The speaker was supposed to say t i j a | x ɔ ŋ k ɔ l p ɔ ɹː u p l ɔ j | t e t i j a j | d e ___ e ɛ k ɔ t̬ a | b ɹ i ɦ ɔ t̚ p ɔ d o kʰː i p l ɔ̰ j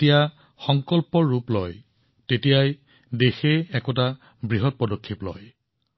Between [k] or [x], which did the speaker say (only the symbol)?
x